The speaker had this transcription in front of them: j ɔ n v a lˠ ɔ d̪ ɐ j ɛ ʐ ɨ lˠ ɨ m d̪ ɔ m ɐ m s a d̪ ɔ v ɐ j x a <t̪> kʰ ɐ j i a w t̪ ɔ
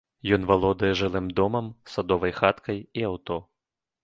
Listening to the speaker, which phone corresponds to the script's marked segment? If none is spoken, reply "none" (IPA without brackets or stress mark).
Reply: t̪